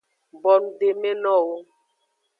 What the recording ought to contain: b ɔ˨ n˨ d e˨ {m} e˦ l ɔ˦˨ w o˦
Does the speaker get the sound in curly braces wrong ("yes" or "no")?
no